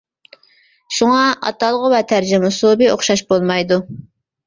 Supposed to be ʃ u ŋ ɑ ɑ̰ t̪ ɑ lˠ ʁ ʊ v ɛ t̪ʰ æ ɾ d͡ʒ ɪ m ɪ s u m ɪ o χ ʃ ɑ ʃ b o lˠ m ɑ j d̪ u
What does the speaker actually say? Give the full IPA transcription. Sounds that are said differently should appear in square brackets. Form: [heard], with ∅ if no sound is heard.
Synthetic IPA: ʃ u ŋ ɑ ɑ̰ t̪ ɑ lˠ ʁ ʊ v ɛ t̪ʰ æ ɾ d͡ʒ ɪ m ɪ s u [b] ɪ o χ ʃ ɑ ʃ b o lˠ m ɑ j d̪ u